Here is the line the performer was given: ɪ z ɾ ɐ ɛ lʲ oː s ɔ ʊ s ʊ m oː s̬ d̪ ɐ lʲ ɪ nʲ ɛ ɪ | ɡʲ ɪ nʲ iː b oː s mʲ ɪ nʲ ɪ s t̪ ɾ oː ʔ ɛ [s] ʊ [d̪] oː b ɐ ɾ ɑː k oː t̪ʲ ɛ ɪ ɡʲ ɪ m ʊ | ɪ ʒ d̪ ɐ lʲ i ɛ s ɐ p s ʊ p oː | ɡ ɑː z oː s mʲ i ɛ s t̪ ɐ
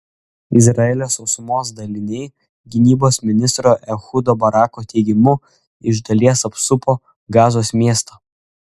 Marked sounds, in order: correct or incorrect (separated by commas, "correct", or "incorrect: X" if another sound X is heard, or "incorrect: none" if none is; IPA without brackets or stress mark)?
incorrect: x, correct